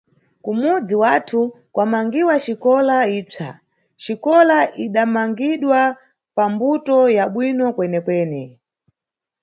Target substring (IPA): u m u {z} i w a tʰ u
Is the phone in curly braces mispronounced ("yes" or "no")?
yes